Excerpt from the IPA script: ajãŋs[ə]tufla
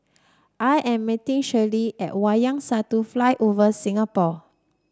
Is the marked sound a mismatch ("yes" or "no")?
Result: yes